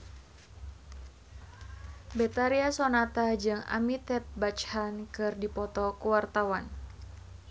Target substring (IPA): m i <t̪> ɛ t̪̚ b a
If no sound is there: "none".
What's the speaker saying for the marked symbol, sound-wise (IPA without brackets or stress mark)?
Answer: t̪